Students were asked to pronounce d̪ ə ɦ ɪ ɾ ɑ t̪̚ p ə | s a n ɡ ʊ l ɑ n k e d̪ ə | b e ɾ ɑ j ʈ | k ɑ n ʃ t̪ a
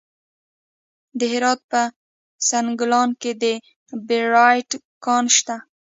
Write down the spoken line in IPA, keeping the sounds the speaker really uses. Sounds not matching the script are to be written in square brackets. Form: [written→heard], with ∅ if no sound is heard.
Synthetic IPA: d̪ ə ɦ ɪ ɾ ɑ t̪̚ p ə | s a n ɡ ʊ l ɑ n k e d̪ ə | b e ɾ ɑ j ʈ | k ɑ n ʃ t̪ a